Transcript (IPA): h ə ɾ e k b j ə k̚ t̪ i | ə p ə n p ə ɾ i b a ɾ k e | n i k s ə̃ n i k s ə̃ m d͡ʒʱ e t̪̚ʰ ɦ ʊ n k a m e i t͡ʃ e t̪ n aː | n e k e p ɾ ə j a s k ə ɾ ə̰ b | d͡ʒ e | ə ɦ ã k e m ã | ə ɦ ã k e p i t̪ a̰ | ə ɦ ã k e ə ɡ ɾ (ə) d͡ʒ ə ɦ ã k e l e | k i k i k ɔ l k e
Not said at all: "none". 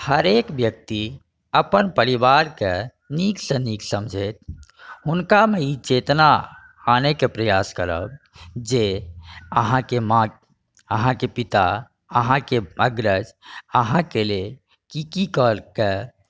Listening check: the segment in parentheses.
ə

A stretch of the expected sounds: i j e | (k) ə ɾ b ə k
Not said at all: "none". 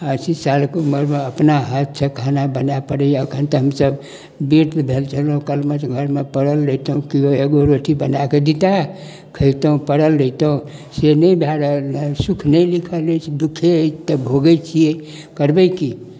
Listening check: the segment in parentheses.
k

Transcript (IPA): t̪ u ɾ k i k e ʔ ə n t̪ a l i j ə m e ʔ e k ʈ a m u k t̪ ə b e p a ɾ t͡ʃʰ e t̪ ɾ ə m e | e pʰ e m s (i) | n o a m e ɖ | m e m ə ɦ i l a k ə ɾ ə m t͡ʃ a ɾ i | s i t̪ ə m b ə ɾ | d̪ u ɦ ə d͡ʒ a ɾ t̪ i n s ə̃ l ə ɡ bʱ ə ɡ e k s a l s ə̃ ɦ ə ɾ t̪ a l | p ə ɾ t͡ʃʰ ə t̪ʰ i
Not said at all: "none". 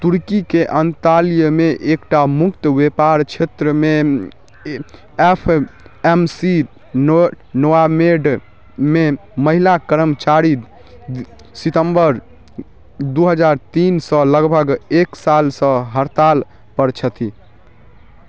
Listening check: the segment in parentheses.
i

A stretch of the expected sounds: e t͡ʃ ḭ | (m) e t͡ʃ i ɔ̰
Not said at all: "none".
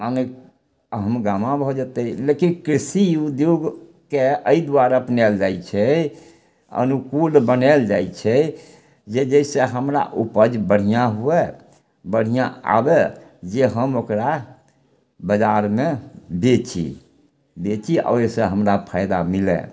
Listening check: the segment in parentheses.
b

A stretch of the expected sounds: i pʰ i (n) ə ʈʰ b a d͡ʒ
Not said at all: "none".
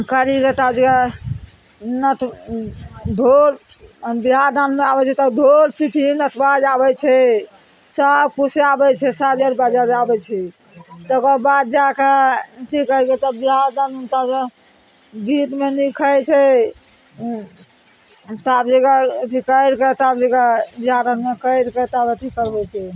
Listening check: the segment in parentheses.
n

